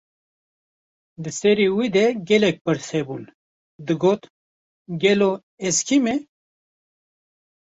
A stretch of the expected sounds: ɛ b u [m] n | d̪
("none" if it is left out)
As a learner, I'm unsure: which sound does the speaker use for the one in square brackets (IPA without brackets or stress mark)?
none